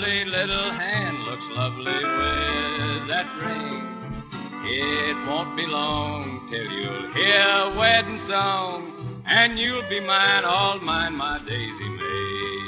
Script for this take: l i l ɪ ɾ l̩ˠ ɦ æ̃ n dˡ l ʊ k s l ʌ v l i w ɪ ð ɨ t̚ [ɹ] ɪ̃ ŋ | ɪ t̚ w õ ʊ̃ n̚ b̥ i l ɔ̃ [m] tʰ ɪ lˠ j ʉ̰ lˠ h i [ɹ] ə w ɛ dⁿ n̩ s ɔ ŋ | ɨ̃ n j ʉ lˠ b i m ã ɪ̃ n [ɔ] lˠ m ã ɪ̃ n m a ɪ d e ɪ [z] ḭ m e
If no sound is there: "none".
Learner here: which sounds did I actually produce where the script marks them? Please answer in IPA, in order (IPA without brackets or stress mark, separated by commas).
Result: ɹ, ŋ, ɹ, ɔ, z